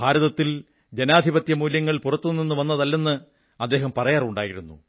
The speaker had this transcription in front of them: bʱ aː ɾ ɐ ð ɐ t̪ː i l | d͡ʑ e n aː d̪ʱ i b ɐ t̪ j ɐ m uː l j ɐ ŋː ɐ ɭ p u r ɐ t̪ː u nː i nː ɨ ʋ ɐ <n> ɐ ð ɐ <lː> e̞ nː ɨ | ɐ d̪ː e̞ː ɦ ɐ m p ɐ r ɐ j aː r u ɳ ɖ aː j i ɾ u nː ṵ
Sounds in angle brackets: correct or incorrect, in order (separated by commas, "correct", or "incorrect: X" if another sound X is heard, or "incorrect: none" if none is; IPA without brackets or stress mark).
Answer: incorrect: nː, correct